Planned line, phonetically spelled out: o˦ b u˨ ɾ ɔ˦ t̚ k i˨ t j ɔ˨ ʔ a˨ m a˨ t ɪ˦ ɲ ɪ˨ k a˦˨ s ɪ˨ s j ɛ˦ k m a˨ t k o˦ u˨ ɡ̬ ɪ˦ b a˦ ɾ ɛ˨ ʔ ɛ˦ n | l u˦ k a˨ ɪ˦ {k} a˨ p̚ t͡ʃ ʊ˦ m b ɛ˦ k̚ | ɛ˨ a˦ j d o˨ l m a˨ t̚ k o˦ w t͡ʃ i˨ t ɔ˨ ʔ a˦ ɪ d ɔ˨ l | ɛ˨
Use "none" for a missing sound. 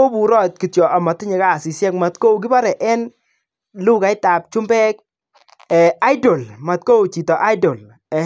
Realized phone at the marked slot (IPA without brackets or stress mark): t